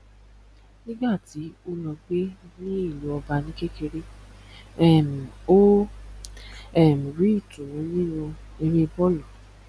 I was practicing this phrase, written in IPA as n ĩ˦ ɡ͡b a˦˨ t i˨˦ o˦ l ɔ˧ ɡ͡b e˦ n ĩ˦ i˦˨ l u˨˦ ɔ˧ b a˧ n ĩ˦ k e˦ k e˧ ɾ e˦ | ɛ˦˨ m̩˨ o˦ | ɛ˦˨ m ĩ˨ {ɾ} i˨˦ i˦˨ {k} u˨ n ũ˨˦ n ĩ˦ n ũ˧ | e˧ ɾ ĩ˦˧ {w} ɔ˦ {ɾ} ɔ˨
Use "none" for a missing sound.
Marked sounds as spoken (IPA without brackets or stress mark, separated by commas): ɾ, t, b, l